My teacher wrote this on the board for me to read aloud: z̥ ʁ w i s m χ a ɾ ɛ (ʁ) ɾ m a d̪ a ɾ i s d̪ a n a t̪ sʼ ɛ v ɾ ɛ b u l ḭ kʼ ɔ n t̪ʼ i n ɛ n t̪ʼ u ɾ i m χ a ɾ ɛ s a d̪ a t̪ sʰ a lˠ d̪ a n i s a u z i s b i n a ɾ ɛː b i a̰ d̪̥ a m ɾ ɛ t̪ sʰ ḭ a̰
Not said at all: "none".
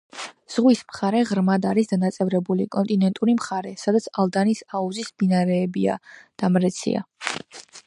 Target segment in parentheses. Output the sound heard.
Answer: ʁ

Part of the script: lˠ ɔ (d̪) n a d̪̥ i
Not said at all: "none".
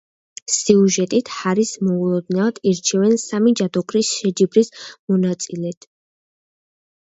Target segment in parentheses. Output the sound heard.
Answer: d̪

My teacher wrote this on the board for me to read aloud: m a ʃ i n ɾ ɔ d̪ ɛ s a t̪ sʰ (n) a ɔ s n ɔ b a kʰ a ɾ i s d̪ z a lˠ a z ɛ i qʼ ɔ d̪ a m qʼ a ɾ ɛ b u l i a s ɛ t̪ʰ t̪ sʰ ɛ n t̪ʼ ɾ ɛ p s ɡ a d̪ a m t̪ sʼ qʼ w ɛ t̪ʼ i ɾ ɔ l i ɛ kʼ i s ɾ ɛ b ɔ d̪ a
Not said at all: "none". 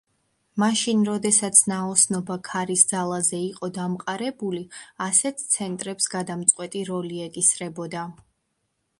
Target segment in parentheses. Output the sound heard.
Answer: n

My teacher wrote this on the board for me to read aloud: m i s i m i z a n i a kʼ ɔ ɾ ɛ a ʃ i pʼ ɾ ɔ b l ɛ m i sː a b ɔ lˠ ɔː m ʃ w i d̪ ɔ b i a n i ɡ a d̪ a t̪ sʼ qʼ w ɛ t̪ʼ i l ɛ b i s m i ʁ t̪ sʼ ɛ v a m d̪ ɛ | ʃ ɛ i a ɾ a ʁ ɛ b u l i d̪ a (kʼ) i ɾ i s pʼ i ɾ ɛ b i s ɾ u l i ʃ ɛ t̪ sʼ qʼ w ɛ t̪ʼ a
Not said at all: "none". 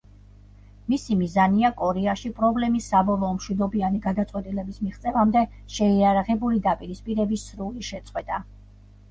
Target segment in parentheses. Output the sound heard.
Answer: pʼ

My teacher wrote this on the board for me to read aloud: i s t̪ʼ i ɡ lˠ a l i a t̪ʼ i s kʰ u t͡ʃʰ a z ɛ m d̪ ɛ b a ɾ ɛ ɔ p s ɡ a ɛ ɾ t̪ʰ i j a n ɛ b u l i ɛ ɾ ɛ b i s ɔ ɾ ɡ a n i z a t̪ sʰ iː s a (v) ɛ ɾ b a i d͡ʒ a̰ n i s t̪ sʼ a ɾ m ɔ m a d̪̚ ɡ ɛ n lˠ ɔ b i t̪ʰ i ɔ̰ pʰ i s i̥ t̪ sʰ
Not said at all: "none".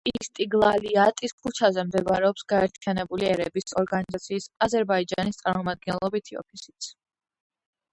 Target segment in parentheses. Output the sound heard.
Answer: z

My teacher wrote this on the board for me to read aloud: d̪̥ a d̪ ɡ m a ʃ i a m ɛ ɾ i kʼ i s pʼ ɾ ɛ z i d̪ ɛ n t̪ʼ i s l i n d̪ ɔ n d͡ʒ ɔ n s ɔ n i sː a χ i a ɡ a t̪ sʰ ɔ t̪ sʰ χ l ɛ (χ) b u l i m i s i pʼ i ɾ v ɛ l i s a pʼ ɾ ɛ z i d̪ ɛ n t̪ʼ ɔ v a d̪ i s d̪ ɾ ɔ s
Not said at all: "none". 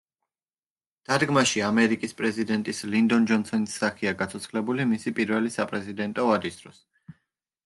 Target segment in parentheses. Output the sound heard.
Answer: none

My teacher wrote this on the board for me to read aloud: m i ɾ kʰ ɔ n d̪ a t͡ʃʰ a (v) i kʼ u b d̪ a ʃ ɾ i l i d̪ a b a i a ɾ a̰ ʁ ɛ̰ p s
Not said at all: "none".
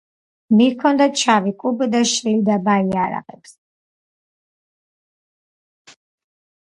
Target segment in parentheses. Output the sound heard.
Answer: v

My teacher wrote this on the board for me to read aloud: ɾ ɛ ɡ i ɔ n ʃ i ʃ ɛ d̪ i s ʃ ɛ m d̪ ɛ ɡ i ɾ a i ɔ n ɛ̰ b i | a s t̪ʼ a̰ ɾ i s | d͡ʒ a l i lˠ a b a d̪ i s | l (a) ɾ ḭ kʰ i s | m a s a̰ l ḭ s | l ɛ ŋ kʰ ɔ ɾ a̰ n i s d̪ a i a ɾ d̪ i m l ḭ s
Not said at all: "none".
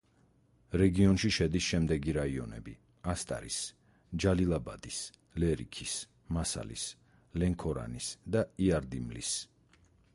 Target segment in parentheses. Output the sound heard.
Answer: ɛ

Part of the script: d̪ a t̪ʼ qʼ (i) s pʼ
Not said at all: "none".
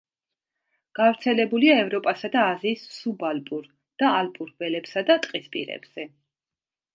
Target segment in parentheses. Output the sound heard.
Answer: i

